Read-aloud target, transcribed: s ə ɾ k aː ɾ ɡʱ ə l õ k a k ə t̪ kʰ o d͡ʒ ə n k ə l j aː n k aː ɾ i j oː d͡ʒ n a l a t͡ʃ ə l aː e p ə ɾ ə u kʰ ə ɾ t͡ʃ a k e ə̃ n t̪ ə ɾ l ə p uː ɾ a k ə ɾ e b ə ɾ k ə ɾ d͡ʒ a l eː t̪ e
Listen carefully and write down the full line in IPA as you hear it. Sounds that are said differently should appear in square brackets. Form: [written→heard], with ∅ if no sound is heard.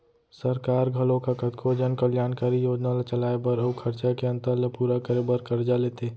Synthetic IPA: s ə ɾ k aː ɾ ɡʱ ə l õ k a k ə t̪ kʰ o d͡ʒ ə n k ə l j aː n k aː ɾ i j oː d͡ʒ n a l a t͡ʃ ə l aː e [p→b] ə ɾ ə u kʰ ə ɾ t͡ʃ a k e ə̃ n t̪ ə ɾ l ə p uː ɾ a k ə ɾ e b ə ɾ k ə ɾ d͡ʒ a l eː t̪ e